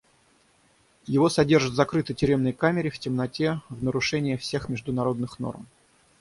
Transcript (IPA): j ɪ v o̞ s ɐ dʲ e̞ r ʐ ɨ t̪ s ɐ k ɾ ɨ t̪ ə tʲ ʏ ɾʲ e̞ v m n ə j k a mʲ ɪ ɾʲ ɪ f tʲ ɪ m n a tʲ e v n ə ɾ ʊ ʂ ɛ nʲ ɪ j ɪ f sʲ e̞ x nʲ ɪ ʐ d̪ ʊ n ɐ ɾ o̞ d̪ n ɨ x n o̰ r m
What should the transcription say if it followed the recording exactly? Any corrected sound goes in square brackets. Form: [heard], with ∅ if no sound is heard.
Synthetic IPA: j ɪ v o̞ s ɐ dʲ e̞ r ʐ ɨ t̪ [z] ɐ k ɾ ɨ t̪ ə tʲ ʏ ɾʲ e̞ [∅] m n ə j k a mʲ ɪ ɾʲ ɪ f tʲ ɪ m n [ɐ] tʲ e v n ə ɾ ʊ ʂ ɛ nʲ ɪ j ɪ f sʲ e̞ x [mʲ] ɪ ʐ d̪ ʊ n ɐ ɾ o̞ d̪ n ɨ x n o̰ r m